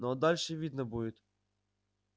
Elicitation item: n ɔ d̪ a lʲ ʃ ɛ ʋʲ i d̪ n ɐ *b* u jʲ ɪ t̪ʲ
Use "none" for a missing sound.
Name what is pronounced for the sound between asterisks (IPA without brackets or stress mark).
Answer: b